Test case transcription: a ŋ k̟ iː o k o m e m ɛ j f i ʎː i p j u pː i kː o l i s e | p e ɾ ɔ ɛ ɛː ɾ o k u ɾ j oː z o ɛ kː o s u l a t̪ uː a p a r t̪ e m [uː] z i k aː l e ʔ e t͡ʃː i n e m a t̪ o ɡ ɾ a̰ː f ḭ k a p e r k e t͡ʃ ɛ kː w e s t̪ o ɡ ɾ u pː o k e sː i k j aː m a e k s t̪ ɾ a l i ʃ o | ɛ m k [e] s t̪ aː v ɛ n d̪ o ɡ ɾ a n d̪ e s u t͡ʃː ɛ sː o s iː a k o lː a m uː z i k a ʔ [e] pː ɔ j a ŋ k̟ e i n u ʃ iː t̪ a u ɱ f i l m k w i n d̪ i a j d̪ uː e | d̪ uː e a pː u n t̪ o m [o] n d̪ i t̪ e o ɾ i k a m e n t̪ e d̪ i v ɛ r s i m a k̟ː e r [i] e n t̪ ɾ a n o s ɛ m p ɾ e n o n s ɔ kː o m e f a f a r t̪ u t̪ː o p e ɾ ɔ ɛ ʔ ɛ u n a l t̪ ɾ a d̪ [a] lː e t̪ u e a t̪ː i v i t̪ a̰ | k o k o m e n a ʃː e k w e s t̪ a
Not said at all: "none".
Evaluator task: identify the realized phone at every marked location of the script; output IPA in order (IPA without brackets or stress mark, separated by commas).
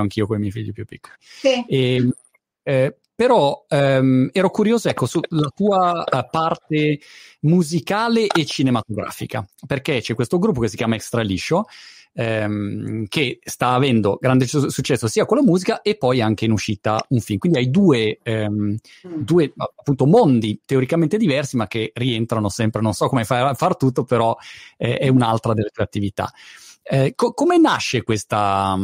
u, e, e, o, i, e